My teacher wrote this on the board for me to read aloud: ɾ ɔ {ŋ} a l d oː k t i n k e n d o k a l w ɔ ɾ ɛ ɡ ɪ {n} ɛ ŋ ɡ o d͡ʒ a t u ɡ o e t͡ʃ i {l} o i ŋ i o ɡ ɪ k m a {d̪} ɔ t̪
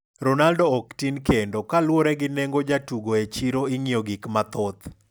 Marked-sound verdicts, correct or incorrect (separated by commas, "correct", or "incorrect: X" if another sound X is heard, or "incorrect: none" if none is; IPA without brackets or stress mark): incorrect: n, correct, incorrect: ɾ, incorrect: t̪